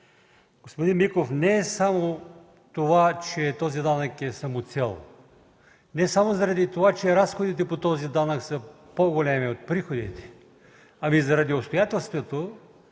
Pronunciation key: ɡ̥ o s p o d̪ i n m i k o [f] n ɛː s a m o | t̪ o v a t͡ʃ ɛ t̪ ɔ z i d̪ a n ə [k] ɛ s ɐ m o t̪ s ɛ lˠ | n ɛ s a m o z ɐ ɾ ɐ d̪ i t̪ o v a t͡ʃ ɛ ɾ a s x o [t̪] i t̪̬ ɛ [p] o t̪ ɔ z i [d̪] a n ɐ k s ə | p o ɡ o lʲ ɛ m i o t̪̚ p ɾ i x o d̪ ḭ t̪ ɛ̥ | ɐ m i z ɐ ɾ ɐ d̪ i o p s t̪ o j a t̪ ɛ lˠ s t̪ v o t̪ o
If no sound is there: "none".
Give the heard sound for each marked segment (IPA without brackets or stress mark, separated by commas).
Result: f, k, d̪, p, d̪